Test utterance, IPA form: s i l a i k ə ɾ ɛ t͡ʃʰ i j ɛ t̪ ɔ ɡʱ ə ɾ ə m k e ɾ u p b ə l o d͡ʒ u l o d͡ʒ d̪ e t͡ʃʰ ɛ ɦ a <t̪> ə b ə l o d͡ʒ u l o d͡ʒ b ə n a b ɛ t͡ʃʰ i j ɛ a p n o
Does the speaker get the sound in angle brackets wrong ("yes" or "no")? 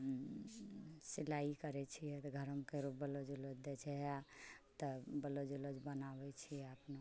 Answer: no